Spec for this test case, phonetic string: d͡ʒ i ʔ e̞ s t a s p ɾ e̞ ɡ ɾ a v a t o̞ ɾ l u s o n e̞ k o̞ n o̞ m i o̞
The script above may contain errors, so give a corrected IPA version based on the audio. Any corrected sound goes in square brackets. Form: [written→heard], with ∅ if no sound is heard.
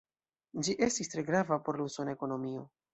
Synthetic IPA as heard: d͡ʒ i ʔ e̞ s t [a→i] s [p→t] ɾ e̞ ɡ ɾ a v a [t→p] o̞ ɾ l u s o n e̞ k o̞ n o̞ m i o̞